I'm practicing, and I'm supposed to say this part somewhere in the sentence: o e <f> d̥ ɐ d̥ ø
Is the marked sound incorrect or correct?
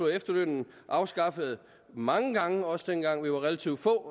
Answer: correct